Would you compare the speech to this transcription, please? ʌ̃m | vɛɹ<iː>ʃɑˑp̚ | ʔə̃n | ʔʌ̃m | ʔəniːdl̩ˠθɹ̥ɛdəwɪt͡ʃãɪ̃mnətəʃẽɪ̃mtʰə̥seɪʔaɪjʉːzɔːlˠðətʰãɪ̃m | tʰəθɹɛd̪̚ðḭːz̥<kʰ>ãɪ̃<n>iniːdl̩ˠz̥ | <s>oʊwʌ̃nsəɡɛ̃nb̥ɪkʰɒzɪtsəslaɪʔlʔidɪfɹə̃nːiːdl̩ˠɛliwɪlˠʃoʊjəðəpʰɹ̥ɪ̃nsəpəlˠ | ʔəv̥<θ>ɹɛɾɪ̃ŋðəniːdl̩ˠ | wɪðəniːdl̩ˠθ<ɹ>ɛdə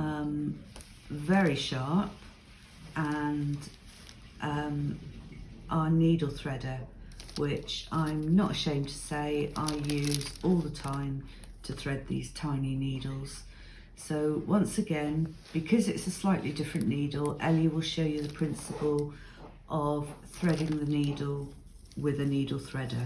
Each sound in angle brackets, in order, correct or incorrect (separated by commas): incorrect, incorrect, correct, correct, correct, correct